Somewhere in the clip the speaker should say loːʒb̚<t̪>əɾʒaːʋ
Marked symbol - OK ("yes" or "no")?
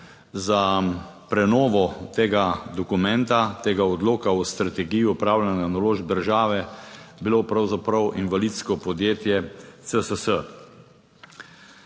no